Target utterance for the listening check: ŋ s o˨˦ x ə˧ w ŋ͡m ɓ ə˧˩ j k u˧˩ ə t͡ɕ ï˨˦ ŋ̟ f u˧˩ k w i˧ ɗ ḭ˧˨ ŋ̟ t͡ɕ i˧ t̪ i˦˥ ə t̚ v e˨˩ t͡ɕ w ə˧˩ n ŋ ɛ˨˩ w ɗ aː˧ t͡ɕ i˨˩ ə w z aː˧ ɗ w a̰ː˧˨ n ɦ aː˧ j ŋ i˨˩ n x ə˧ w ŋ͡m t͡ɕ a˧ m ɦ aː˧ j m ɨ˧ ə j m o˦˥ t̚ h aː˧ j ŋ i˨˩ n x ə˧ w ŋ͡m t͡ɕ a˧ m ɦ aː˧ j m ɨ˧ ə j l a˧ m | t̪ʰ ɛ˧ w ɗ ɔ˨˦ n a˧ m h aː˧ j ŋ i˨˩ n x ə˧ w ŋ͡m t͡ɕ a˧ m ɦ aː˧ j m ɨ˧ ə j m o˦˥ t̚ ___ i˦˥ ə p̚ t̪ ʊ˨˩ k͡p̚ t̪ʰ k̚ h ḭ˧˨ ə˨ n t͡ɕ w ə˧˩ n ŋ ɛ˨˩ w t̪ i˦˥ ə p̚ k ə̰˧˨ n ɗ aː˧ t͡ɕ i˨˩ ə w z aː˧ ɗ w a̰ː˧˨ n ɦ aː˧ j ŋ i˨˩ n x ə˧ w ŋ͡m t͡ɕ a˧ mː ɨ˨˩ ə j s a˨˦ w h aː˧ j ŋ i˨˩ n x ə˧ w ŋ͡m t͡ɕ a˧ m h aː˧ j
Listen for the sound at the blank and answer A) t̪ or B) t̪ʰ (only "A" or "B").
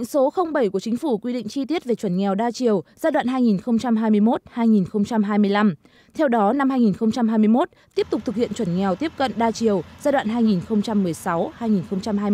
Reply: A